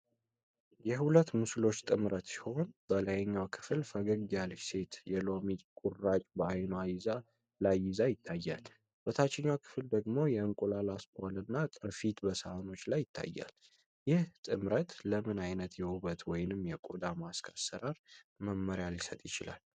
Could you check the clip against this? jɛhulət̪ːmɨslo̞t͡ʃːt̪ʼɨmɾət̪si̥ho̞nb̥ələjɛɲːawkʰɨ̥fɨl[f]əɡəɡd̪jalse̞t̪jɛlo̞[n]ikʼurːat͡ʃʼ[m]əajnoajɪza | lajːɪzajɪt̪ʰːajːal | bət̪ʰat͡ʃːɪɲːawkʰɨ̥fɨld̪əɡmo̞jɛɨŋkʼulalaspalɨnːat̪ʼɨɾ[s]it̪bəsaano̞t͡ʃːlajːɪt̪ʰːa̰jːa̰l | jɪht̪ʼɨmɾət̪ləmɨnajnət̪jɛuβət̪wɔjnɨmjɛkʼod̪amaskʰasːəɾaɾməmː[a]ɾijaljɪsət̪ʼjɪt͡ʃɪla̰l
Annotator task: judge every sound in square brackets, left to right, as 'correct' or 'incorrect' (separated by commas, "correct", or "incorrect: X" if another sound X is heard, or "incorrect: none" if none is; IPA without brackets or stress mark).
correct, incorrect: m, incorrect: b, incorrect: f, incorrect: ə